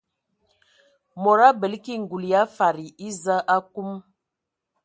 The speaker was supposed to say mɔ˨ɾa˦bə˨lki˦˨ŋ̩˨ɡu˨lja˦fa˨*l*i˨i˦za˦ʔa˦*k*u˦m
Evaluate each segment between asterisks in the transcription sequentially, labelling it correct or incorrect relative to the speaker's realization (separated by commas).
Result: incorrect, correct